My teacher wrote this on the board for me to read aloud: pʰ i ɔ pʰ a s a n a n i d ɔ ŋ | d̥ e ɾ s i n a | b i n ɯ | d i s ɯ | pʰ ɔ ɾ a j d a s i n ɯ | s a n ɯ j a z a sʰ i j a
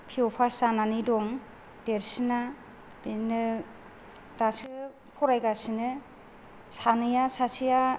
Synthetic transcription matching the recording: pʰ i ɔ pʰ a s a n a n i d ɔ ŋ | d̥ e ɾ s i n a | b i n ɯ | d a s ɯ | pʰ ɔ ɾ a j ɡ a s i n ɯ | s a n ɯ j a s a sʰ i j a